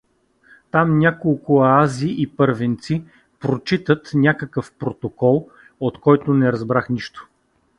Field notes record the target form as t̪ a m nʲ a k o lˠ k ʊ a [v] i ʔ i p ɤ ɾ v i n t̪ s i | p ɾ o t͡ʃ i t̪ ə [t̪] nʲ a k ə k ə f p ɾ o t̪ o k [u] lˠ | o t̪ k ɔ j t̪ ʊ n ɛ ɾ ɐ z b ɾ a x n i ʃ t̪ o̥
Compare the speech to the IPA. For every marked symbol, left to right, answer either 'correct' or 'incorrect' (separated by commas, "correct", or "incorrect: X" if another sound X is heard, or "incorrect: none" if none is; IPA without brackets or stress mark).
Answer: incorrect: z, correct, incorrect: ɔ